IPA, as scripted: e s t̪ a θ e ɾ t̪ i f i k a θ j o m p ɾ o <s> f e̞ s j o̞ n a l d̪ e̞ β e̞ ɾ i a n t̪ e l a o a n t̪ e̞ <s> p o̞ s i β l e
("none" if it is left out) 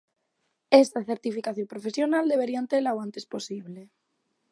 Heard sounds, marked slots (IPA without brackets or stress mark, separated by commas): none, s